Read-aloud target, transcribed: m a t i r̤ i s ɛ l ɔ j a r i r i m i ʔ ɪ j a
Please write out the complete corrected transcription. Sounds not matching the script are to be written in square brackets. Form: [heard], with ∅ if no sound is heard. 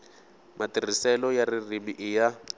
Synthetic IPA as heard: m a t i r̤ i s ɛ l ɔ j a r i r i m i ʔ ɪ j a